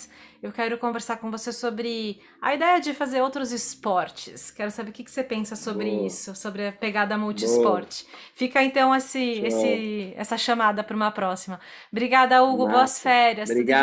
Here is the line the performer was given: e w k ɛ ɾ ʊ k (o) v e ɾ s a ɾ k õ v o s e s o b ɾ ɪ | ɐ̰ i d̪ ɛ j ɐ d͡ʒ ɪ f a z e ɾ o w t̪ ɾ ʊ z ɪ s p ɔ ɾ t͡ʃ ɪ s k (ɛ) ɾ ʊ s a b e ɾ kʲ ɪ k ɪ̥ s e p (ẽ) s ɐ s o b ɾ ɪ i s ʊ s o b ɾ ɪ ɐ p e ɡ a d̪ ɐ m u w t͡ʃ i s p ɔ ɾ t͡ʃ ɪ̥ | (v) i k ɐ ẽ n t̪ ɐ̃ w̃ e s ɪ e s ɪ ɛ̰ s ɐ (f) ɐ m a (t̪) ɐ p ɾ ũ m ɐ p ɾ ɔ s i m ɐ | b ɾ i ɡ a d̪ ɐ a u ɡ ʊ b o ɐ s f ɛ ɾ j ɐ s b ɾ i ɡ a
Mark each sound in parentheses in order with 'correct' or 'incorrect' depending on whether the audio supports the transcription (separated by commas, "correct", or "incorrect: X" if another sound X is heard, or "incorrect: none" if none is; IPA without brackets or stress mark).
incorrect: õ, correct, correct, incorrect: f, incorrect: ʃ, incorrect: d̪